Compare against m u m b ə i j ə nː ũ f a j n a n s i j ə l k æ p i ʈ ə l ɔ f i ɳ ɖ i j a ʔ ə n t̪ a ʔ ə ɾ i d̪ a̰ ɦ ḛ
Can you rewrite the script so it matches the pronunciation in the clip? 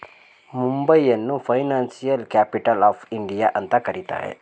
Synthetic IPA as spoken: m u m b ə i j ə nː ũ f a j n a n s i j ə l k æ p i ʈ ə l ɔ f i ɳ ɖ i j a ʔ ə n t̪ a k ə ɾ i t̪ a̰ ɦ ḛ

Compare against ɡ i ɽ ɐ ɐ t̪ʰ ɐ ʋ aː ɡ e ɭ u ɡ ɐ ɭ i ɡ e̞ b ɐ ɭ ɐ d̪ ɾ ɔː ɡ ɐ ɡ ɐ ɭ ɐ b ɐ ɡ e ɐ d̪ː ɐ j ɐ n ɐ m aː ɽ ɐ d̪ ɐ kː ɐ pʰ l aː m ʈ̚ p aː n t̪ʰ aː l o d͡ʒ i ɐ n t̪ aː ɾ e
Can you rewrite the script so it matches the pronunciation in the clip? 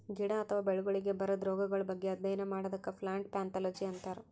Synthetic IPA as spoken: ɡ i ɽ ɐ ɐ t̪ʰ ɐ ʋ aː b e ɭ u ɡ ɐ ɭ i ɡ e̞ b ɐ ɾ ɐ d̪ ɾ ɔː ɡ ɐ ɡ ɐ ɭ ɐ b ɐ ɡː e ɐ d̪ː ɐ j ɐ n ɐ m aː ɽ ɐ d̪ ɐ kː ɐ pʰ l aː ɳ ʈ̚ p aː n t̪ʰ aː l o d͡ʒ i ɐ n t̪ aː ɾ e

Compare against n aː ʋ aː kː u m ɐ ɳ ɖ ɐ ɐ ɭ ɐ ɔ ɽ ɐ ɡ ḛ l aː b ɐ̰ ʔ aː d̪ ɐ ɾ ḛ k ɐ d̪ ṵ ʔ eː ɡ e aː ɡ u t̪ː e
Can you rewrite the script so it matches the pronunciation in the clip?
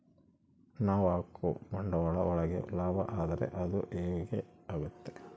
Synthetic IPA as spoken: n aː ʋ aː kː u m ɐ ɳ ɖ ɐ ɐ ɭ ɐ ɔ ɭ ɐ ɡ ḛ l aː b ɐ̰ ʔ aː d̪ ɐ ɾ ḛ ʔ ɐ d̪ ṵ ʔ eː ɡ e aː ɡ u t̪ː e

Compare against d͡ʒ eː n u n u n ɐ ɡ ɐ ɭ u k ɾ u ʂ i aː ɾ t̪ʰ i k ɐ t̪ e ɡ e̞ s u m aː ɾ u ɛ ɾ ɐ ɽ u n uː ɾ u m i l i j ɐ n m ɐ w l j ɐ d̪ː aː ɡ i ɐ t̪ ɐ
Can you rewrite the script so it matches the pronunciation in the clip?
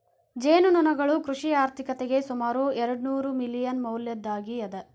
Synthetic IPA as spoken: d͡ʒ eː n u n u n ɐ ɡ ɐ ɭ u k ɾ u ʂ i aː ɾ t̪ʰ i k ɐ t̪ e ɡ e̞ s u m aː ɾ u ɛ ɾ ɐ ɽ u n uː ɾ u m i l i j ɐ n m ɐ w l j ɐ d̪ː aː ɡ i ɐ d̪ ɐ

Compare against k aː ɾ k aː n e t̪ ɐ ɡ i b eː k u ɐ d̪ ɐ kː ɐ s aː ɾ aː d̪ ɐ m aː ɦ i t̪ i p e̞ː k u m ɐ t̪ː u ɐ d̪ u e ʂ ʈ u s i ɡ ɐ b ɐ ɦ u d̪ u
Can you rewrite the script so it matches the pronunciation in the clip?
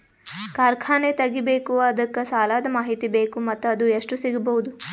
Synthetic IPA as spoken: k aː ɾ kʰ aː n e t̪ ɐ ɡ i b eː k u ɐ d̪ ɐ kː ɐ s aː l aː d̪ ɐ m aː ɦ i t̪ i b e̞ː k u m ɐ t̪ː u ɐ d̪ u e ʂ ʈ u s i ɡ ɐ b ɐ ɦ u d̪ u

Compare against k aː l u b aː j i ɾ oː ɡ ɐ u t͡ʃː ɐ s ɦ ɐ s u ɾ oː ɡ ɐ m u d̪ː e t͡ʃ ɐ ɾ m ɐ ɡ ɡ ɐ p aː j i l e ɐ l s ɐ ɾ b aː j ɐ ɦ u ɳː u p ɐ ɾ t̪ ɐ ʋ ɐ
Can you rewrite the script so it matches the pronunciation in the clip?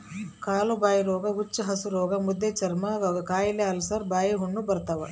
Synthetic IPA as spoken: k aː l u b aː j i ɾ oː ɡ ɐ u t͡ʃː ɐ ɦ ɐ s u ɾ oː ɡ ɐ m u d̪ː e t͡ʃ ɐ ɾ m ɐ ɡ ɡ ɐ k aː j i l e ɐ l s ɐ ɾ b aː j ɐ ɦ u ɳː u b ɐ ɾ t̪ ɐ ʋ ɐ

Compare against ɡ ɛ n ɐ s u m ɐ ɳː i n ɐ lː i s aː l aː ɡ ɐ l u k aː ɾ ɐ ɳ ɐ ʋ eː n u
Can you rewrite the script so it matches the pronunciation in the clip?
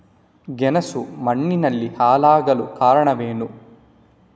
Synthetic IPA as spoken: ɡ ɛ n ɐ s u m ɐ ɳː i n ɐ lː i h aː l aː ɡ ɐ l u k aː ɾ ɐ ɳ ɐ ʋ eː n u

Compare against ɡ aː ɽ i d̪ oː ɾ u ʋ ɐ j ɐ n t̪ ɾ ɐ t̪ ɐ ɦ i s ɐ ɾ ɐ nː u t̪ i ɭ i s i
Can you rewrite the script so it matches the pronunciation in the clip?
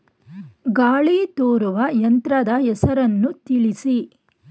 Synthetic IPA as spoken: ɡ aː ɭ i t̪ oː ɾ u ʋ ɐ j ɐ n t̪ ɾ ɐ d̪ ɐ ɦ ɛ s ɐ ɾ ɐ nː u t̪ i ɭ i s i

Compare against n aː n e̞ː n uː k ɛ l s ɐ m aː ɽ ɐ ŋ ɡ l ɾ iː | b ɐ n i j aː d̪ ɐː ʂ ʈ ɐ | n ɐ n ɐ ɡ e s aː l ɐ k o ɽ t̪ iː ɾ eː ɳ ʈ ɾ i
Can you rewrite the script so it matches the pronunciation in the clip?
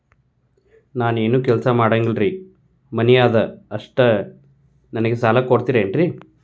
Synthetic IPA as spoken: n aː n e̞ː n uː k ɛ l s ɐ m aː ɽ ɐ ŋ ɡ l ɾ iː | m ɐ n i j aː d̪ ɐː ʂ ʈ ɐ | n ɐ n ɐ ɡ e s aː l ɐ k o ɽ t̪ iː ɾ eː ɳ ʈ ɾ i

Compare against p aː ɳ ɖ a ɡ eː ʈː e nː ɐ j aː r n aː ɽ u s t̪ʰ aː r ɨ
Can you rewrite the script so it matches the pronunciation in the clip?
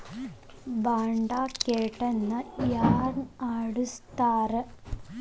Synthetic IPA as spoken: b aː ɳ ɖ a k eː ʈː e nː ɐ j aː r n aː ɽ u s t̪ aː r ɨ

